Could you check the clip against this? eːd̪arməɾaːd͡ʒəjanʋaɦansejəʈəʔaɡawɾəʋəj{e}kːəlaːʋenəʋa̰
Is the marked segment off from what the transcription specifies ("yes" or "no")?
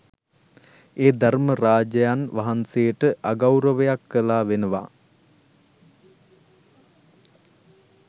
yes